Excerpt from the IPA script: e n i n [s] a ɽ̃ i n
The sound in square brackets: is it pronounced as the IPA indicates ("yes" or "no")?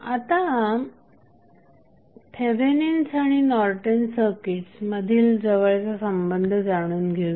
yes